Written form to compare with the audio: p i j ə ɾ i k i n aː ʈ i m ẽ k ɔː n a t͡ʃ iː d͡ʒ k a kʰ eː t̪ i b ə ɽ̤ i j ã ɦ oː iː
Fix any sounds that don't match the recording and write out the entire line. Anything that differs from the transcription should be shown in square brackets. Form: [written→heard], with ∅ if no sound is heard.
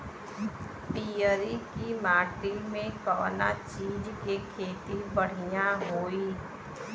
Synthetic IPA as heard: p i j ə ɾ i k i [n→m] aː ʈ i m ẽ k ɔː n a t͡ʃ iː d͡ʒ k [a→e] kʰ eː t̪ i b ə ɽ̤ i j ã ɦ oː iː